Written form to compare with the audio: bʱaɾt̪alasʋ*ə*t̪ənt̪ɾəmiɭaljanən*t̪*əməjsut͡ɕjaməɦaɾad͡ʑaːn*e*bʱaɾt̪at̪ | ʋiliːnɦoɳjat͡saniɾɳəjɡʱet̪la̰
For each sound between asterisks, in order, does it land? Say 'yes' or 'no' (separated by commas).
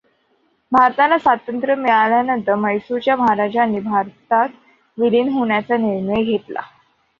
no, yes, no